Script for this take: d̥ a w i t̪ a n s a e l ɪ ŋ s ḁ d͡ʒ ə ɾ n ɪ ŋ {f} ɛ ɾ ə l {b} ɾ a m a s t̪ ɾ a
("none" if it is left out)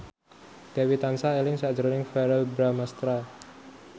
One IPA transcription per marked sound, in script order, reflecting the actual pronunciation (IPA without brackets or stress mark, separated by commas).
f, b